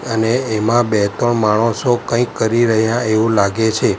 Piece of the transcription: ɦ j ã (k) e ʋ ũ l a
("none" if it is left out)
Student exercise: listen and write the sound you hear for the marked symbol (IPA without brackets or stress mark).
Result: none